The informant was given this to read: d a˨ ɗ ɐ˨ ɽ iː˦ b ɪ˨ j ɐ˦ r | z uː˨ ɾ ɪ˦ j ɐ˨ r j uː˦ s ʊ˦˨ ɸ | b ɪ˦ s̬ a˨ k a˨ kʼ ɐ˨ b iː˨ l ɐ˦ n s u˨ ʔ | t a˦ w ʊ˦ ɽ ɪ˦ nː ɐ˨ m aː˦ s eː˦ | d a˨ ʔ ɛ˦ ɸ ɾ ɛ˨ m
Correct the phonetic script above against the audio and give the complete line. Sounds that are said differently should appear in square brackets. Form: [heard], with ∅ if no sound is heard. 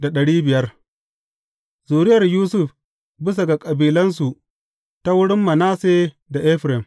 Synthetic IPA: d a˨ ɗ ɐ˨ ɽ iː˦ b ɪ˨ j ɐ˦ r | z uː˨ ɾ ɪ˦ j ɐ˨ r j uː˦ s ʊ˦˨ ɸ | b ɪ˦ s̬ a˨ [ɡ] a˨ kʼ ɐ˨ b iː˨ l ɐ˦ n s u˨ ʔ | t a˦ w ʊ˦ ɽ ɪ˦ [mː] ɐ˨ [n] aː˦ s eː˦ | d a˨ ʔ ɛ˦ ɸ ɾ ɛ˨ m